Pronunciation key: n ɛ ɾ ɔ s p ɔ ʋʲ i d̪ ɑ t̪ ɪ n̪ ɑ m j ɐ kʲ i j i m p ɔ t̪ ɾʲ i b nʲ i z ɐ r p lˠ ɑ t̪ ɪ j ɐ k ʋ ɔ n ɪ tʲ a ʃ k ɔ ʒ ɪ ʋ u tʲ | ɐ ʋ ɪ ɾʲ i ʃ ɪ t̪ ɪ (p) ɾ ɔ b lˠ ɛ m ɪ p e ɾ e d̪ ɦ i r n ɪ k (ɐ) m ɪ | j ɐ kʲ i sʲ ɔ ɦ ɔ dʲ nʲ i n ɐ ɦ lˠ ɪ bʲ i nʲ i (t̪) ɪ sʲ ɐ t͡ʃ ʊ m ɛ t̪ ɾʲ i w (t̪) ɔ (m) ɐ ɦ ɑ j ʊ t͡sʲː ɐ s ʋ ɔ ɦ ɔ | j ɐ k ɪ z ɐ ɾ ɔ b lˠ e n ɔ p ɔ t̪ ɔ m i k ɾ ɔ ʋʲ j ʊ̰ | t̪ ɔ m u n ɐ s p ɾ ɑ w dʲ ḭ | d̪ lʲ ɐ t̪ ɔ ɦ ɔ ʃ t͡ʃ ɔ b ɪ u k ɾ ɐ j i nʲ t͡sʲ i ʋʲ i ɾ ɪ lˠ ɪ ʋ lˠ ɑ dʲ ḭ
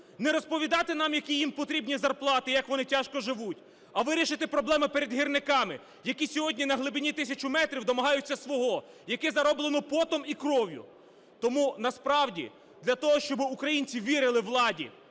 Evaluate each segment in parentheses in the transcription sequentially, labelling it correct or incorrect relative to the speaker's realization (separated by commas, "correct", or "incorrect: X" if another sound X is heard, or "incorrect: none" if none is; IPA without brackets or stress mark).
correct, incorrect: ɑ, correct, incorrect: d̪, correct